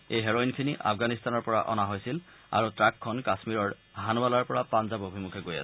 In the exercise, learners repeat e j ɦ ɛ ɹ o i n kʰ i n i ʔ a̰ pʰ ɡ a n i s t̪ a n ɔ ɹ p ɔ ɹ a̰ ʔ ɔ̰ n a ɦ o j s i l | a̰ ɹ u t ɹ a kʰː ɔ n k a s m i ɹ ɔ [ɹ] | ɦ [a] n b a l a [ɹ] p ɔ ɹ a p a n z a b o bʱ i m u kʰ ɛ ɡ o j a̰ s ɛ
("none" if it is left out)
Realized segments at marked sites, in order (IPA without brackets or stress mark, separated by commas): ɹ, a, ɹ